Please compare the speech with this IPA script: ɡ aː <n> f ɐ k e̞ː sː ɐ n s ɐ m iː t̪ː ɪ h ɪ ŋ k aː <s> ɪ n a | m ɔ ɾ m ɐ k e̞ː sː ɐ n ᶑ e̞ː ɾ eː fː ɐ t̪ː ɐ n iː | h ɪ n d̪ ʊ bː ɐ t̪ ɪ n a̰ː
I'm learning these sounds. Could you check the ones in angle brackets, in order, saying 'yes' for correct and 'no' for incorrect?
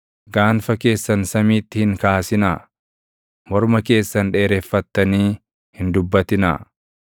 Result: yes, yes

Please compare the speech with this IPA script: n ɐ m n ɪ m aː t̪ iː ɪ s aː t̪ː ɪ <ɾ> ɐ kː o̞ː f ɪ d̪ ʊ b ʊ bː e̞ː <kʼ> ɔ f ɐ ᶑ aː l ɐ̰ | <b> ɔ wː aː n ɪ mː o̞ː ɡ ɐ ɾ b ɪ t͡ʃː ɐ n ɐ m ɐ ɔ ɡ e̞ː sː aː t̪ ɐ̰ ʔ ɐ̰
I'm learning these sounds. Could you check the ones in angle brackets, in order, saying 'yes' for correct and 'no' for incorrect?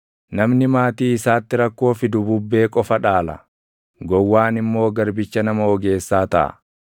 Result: yes, yes, no

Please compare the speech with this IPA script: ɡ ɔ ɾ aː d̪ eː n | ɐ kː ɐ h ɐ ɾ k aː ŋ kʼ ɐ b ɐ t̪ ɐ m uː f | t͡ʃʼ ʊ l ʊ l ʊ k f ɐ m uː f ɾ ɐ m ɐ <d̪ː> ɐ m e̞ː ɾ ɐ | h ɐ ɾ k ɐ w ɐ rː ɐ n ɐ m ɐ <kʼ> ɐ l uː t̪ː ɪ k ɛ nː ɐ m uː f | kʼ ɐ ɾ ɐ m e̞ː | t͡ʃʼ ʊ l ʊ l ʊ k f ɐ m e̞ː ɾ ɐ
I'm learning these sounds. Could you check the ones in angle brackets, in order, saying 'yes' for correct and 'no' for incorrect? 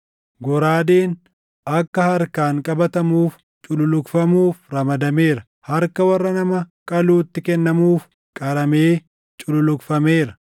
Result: no, yes

